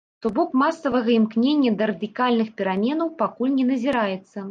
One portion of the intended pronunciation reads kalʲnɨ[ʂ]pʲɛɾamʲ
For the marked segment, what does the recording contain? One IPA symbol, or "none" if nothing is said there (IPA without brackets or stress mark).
x